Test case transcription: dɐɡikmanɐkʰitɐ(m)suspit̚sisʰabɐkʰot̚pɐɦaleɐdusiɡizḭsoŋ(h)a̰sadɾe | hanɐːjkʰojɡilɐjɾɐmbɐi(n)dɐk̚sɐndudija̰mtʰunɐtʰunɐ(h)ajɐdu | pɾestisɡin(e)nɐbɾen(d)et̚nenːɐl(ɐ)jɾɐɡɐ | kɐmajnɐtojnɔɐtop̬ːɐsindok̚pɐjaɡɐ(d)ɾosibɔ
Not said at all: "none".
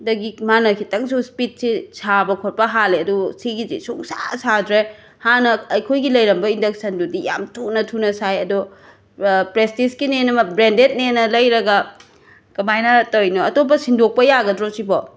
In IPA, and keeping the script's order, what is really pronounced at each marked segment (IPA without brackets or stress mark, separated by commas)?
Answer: ŋ, s, n, s, e, d, ɐ, d